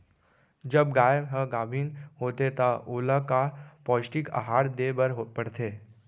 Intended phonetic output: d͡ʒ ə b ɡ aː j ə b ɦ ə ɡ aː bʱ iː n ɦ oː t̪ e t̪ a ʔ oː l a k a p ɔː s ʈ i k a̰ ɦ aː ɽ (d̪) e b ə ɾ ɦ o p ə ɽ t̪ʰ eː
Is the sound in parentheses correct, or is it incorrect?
correct